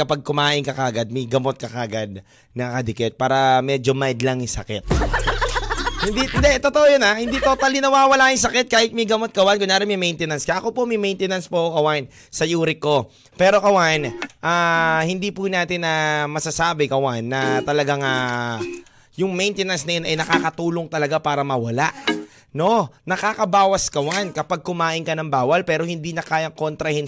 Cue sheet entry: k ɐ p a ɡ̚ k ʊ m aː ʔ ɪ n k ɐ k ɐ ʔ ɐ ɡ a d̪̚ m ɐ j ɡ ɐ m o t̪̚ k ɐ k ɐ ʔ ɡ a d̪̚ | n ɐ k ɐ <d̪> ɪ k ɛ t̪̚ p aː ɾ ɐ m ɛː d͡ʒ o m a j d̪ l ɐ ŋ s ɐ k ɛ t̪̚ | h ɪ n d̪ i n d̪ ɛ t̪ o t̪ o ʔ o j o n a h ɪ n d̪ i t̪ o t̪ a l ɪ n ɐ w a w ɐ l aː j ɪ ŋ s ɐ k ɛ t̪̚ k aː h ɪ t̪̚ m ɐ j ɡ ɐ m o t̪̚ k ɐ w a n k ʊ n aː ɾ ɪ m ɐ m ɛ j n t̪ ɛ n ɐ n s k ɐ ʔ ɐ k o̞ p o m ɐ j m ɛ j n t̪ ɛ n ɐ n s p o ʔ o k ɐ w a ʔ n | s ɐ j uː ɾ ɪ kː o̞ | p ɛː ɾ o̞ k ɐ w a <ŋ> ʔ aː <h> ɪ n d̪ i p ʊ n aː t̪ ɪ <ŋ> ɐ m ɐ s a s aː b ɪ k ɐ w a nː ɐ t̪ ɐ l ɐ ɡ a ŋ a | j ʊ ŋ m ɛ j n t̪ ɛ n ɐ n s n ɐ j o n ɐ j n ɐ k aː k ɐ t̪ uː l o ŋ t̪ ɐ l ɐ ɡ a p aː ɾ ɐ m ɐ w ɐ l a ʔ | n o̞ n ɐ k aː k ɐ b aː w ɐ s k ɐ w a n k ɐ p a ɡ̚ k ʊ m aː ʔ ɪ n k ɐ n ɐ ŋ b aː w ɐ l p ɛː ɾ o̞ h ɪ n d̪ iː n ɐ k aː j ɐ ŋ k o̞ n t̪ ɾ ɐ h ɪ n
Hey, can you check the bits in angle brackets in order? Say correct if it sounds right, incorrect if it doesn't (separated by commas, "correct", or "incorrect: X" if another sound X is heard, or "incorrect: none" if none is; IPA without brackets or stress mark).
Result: correct, incorrect: n, correct, incorrect: n